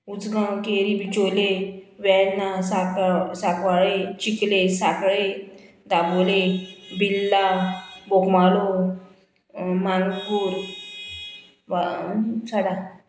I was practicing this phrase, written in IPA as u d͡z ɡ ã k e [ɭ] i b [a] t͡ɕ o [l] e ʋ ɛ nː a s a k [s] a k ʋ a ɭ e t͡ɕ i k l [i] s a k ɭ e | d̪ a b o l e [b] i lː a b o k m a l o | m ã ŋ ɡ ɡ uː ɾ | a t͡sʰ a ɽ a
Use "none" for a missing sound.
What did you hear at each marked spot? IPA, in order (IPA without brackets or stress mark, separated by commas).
ɾ, i, l, s, e, b